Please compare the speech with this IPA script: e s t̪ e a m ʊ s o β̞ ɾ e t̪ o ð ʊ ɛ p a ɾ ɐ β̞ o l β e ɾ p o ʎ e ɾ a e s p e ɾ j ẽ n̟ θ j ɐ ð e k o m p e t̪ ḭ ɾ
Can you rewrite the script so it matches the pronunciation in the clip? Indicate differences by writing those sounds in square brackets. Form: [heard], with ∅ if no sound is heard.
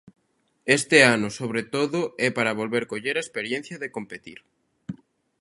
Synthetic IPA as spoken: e s t̪ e a [n] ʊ s o β̞ ɾ e t̪ o ð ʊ ɛ p a ɾ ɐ β̞ o l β e ɾ [k] o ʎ e ɾ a e s p e ɾ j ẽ n̟ θ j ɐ ð e k o m p e t̪ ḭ ɾ